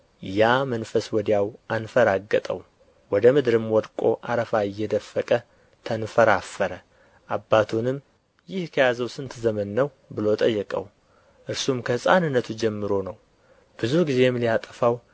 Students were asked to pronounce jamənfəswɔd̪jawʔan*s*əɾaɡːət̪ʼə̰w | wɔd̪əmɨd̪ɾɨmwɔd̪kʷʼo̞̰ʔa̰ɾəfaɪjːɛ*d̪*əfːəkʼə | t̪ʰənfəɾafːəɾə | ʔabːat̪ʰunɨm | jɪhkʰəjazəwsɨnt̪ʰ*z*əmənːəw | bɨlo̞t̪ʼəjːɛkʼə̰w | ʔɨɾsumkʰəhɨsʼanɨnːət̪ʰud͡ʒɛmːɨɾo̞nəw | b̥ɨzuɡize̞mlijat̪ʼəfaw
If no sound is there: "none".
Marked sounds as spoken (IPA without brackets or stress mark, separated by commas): f, d̪, z